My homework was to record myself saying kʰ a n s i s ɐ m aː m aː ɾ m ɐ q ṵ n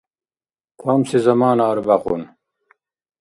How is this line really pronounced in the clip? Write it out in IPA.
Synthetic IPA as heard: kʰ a m s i z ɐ m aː n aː ɾ b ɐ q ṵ n